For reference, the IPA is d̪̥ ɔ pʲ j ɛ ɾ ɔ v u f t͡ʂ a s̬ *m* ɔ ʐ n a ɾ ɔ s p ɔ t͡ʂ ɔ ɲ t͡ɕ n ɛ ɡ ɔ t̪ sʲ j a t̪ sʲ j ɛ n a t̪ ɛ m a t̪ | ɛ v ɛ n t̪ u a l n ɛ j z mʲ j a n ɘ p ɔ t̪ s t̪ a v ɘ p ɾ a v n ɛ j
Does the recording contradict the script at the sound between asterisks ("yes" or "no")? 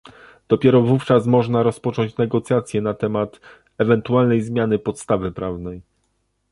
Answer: no